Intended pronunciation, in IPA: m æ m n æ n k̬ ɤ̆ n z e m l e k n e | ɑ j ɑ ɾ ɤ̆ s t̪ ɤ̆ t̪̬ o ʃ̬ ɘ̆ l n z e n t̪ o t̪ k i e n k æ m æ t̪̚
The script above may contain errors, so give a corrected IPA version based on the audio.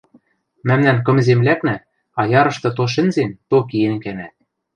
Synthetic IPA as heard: m æ m n æ n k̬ ɤ̆ m z e m l æ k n æ | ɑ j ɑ ɾ ɤ̆ ʃ t̪ ɤ̆ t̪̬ o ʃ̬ ɘ̆ n z e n t̪ o k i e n k æ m æ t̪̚